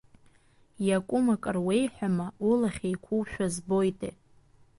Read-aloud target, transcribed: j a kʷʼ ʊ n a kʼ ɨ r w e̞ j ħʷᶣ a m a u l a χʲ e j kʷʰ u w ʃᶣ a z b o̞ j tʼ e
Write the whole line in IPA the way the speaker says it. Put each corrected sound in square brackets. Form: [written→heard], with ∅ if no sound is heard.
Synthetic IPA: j a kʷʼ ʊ [n→m] a kʼ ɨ r w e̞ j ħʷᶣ a m a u l a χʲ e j kʷʰ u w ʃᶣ a z b o̞ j tʼ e